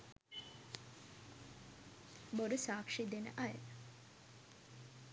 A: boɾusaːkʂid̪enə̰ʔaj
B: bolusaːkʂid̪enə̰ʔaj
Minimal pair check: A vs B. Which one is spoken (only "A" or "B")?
A